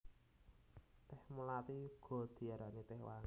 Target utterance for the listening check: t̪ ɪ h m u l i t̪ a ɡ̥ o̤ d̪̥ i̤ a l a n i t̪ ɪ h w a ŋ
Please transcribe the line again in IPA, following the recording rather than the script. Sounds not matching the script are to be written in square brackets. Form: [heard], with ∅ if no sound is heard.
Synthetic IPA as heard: t̪ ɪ h m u l [a] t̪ [i] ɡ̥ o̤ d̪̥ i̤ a [ɾ] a n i t̪ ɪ h w a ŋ

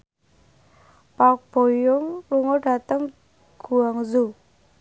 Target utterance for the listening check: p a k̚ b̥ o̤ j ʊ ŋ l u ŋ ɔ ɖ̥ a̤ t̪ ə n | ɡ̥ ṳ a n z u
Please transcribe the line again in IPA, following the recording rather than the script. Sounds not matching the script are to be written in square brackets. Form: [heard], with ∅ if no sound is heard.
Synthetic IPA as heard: p a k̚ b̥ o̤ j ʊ ŋ l u ŋ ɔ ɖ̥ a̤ t̪ ə [ŋ] | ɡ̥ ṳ a [ŋ] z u

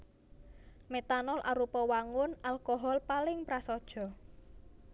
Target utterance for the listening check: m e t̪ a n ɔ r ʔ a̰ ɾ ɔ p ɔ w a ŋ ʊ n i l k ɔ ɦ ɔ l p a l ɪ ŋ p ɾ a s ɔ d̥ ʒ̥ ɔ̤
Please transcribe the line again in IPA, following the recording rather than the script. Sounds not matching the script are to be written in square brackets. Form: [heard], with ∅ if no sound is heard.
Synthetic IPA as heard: m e t̪ a n ɔ [l] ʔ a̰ ɾ [u] p ɔ w a ŋ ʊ n [a] l k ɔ ɦ ɔ l p a l ɪ ŋ p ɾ a s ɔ d̥ ʒ̥ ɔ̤

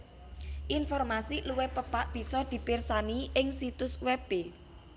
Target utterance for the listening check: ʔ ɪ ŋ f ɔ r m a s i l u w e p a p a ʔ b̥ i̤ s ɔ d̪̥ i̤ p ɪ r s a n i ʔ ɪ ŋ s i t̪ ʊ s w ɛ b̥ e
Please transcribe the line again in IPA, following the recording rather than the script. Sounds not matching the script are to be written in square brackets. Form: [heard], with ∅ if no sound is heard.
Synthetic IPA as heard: ʔ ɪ [n] f ɔ r m a s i l u w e p [ə] p a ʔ b̥ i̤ s ɔ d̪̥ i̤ p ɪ r s a n i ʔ ɪ ŋ s i t̪ ʊ s w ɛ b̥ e

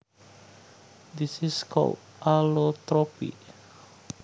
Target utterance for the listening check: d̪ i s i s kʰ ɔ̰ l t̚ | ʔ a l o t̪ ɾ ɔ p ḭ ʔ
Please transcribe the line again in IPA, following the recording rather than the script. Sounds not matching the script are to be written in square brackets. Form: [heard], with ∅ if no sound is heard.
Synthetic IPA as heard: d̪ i s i s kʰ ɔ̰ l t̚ | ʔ a l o t̪ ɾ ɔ p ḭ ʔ

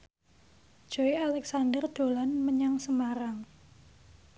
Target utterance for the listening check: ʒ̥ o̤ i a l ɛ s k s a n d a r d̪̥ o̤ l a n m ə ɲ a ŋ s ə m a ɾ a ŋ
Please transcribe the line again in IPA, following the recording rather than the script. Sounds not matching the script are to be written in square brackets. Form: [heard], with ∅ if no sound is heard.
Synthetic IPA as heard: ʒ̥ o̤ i a l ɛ [∅] k s a n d [ə] r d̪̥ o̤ l a n m ə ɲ a ŋ s ə m a ɾ a ŋ

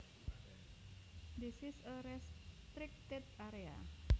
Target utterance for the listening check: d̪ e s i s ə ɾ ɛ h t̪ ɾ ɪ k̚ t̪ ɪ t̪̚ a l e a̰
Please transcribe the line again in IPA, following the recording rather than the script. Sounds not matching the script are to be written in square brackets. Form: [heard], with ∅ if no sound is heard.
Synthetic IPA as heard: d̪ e s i s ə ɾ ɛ [s] t̪ ɾ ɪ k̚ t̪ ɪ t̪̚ a [ɾ] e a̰

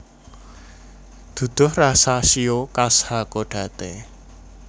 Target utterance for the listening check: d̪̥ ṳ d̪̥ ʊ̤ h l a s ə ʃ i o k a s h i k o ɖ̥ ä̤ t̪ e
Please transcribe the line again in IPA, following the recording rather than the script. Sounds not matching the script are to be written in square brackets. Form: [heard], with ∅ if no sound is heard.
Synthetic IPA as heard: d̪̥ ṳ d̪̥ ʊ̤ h [r] a s [a] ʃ i o k a s h [a] k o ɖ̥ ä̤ t̪ e

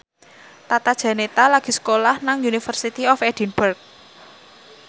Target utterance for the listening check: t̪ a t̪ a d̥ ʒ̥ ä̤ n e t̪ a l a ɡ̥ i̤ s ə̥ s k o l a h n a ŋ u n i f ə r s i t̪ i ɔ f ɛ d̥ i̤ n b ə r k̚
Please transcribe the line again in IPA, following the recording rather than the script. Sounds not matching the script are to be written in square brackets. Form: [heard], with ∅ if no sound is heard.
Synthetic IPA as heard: t̪ a t̪ a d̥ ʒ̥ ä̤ n e t̪ a l a ɡ̥ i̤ s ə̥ [∅] k o l a h n a ŋ u n i f ə r s i t̪ i ɔ f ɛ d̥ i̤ n b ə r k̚

